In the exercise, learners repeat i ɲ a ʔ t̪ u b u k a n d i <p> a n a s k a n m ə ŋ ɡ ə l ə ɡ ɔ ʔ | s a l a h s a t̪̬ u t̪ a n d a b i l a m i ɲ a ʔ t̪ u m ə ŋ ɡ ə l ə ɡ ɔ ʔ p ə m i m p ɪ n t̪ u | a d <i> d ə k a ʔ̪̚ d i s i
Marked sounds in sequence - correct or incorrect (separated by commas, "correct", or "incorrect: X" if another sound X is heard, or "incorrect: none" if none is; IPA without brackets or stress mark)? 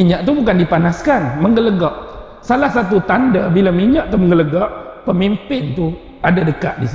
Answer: correct, incorrect: a